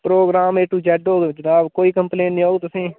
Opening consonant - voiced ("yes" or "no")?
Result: no